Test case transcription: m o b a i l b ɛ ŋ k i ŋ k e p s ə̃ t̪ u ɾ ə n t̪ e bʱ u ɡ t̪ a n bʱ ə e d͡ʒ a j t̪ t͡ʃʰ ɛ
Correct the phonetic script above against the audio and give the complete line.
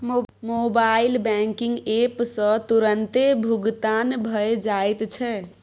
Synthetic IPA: m o b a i l b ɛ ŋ k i ŋ ɡ e p s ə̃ t̪ u ɾ ə n t̪ e bʱ u ɡ t̪ a n bʱ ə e d͡ʒ a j t̪ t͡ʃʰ ɛ